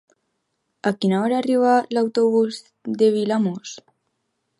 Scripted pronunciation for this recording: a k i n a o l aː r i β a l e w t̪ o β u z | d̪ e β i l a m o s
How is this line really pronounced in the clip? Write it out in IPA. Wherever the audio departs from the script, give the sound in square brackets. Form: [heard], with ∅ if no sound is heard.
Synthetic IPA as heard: a k i n a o [ɾ] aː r i β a l [a] w t̪ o β u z | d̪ e β i l a m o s